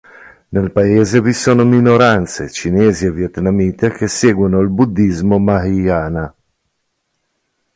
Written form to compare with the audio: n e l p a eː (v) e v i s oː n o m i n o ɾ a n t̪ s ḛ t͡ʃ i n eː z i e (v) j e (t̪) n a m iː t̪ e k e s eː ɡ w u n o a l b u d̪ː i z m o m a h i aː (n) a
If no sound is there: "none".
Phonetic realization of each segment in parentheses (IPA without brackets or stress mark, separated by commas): z, v, t̪, n